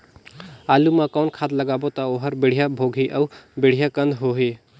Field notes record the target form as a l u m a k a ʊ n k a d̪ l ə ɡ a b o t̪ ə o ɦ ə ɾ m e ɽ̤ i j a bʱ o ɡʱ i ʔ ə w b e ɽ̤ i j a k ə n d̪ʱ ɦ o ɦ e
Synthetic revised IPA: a l u m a k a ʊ n kʰ a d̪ l ə ɡ a b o t̪ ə o ɦ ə ɾ b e ɽ̤ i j a bʱ o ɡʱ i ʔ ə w b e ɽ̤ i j a k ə n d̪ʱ ɦ o ɦ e